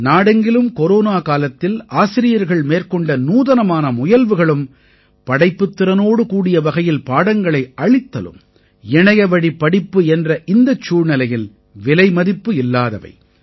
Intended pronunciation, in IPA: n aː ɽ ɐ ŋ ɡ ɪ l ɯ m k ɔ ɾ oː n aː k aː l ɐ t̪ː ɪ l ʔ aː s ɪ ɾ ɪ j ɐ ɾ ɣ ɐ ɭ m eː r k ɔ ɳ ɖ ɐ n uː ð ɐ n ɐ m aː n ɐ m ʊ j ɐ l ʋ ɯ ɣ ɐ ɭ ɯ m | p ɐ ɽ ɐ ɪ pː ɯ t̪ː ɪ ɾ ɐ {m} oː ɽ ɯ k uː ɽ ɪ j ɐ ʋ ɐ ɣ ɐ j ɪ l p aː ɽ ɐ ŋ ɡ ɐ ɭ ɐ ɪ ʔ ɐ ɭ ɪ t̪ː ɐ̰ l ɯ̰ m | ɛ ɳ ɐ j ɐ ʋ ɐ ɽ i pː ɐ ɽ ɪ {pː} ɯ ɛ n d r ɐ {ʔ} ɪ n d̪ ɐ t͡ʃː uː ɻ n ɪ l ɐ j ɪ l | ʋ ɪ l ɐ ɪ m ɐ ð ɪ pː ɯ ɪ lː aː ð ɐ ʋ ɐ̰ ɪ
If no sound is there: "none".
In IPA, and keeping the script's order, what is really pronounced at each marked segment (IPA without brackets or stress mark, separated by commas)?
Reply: n, pː, ʔ